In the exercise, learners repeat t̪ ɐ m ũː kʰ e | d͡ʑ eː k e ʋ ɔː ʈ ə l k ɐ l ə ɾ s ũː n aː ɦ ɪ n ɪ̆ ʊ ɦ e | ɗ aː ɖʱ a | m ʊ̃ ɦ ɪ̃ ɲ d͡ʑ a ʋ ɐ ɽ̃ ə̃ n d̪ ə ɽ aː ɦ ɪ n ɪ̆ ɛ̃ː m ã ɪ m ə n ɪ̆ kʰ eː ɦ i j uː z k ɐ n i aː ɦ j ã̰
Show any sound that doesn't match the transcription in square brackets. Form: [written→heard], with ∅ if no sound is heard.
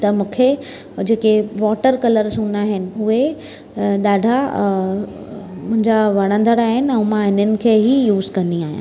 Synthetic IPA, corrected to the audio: t̪ ɐ m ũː kʰ e | d͡ʑ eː k e ʋ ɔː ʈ ə [l→ɾ] k ɐ l ə ɾ s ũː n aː ɦ ɪ n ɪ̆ ʊ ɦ e | ɗ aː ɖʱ a | m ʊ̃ ɦ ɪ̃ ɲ d͡ʑ a ʋ ɐ ɽ̃ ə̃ n d̪ ə ɽ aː ɦ ɪ n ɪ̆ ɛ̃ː m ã ɪ [m→n] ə n ɪ̆ kʰ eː ɦ i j uː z k ɐ n i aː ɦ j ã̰